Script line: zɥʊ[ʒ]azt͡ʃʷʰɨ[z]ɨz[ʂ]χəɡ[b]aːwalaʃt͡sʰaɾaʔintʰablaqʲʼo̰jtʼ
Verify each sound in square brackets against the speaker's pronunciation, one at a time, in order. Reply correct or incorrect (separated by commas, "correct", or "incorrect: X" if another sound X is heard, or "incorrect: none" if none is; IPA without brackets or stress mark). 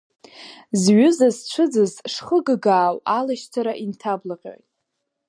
incorrect: z, incorrect: d͡z, correct, incorrect: ɡ